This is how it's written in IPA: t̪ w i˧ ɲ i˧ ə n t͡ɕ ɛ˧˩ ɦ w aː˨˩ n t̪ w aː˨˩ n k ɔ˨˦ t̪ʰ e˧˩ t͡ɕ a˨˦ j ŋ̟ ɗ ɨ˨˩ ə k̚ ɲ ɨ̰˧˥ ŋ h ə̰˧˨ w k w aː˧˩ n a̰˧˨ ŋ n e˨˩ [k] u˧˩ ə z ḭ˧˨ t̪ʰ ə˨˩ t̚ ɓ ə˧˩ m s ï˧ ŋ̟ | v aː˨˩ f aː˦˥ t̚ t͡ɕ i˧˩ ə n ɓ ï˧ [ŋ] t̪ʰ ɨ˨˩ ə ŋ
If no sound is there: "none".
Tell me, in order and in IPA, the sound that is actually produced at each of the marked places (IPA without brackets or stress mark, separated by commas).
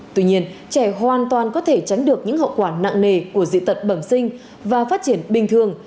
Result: k, ŋ